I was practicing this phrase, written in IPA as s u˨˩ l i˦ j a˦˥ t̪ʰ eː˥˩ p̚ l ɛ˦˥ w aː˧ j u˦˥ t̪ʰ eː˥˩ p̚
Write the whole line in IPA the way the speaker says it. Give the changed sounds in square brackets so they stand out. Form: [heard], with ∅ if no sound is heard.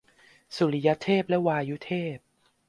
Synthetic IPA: s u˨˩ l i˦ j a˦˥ t̪ʰ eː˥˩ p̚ l ɛ˦˥ w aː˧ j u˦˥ t̪ʰ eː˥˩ p̚